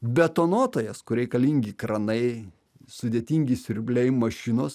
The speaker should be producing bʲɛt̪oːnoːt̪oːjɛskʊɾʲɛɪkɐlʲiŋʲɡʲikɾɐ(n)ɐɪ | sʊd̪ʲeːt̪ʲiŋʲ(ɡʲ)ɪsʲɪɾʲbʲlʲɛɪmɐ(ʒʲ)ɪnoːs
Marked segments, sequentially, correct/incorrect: correct, correct, incorrect: ʃʲ

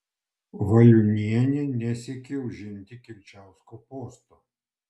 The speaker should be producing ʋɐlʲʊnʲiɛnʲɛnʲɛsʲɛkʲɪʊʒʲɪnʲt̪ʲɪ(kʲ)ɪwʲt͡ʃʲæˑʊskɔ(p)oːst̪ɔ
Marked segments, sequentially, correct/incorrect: correct, correct

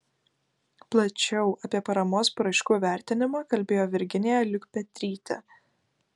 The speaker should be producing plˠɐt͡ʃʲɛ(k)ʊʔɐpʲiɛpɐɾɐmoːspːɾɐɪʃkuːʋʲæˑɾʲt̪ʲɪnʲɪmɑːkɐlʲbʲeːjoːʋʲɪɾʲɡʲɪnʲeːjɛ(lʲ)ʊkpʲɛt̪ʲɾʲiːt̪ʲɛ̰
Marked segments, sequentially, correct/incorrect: incorrect: none, correct

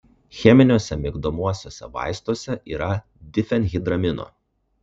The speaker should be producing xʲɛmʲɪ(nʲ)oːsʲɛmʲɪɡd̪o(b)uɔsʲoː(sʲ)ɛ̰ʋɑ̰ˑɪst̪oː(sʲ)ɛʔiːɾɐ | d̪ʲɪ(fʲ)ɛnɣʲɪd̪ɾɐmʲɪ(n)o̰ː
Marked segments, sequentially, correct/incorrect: correct, incorrect: m, correct, correct, correct, correct

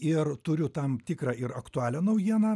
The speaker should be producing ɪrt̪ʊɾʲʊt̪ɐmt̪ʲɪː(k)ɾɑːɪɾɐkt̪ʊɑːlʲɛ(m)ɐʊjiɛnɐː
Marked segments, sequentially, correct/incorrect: correct, incorrect: n

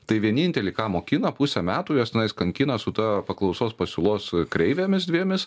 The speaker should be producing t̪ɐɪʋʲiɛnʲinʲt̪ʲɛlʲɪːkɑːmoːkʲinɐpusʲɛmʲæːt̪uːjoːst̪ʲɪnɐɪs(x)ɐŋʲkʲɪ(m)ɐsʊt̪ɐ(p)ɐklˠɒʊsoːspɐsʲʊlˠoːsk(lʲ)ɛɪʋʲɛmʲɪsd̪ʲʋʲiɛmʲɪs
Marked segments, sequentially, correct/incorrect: incorrect: k, incorrect: n, correct, incorrect: ɾʲ

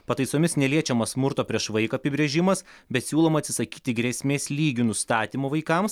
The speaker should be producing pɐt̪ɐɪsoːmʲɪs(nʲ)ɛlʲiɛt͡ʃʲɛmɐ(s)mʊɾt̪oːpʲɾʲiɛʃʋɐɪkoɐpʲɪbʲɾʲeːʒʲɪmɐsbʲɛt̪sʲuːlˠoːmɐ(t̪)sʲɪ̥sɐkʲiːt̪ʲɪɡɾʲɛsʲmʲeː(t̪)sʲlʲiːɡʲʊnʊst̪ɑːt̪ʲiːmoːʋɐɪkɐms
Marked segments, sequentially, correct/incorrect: correct, correct, correct, incorrect: none

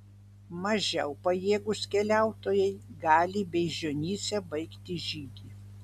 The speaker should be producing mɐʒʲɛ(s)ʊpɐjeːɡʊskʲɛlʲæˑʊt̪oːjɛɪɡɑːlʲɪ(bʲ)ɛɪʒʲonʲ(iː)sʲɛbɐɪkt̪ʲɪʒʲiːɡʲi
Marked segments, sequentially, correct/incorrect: incorrect: none, correct, correct

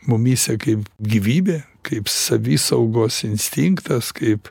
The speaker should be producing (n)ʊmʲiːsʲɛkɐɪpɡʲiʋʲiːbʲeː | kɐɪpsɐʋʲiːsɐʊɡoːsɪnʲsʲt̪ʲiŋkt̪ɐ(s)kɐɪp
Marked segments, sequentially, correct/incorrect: incorrect: m, correct

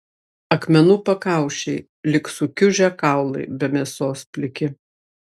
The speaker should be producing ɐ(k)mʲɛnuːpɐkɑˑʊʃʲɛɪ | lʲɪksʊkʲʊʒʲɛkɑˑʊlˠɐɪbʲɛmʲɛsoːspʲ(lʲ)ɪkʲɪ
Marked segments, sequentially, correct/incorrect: correct, correct

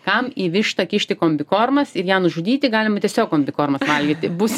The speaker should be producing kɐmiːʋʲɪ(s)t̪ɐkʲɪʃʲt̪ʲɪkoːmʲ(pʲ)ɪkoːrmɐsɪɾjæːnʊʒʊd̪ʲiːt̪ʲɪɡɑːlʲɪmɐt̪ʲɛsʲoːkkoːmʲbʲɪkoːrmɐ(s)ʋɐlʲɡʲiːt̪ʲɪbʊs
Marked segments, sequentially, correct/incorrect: incorrect: ʃ, incorrect: bʲ, correct

